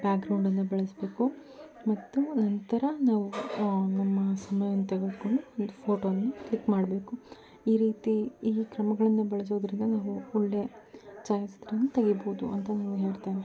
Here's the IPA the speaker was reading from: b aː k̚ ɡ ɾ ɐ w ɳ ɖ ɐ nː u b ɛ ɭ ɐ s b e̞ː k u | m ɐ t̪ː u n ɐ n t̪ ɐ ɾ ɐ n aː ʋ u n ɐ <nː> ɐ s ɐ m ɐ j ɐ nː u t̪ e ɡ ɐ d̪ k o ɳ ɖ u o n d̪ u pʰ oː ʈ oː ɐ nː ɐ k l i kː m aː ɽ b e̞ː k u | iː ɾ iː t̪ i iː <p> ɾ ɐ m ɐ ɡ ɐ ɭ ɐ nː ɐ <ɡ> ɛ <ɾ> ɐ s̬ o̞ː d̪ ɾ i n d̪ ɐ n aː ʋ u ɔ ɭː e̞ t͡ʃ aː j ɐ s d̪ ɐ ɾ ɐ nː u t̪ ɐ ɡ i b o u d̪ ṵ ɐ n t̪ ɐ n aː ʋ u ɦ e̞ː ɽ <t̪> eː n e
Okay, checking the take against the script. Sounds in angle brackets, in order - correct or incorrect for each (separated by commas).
incorrect, incorrect, incorrect, incorrect, correct